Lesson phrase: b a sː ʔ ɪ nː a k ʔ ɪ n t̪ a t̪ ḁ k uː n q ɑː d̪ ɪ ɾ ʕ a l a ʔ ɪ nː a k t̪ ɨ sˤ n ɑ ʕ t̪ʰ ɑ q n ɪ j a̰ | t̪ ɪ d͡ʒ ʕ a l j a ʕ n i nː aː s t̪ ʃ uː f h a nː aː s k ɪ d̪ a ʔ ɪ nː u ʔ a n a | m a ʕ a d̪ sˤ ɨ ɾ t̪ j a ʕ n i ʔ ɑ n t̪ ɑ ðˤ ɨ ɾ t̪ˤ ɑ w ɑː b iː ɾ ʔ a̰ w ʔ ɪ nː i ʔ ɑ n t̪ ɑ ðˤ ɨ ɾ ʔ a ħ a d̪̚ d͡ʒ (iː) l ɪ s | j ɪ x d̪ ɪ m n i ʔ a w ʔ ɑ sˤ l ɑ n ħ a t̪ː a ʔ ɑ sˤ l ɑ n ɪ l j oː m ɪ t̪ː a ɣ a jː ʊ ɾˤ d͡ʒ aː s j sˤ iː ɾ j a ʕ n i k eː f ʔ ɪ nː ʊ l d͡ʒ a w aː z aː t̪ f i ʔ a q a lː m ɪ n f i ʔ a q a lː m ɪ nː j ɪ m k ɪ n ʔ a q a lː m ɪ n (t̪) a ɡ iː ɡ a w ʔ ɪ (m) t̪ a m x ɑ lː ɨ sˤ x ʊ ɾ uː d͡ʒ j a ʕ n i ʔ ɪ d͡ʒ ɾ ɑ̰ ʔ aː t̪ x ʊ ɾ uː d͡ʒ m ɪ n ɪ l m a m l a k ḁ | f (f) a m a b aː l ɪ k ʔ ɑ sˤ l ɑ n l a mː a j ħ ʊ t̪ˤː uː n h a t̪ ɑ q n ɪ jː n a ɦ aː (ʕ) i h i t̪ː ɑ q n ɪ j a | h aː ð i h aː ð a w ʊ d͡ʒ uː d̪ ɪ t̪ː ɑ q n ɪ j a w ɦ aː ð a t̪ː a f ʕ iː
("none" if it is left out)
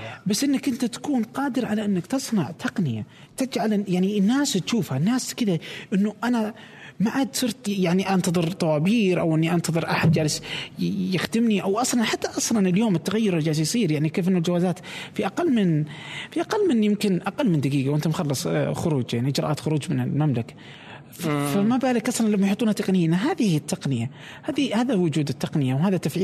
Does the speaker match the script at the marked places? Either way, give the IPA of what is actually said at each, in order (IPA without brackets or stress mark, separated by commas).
aː, d̪, n, f, ð